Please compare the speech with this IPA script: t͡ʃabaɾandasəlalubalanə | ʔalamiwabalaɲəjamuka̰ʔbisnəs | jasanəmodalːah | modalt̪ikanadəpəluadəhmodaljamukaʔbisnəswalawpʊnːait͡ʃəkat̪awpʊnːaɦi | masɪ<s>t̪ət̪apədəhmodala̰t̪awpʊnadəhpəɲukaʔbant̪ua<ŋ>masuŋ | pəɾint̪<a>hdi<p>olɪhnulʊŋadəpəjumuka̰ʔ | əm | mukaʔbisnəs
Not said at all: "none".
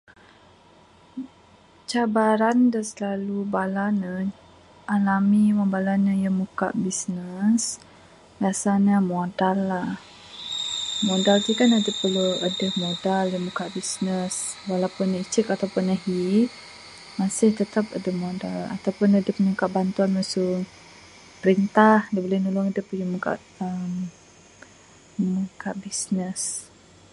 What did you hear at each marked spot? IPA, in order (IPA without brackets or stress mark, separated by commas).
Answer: h, n, a, b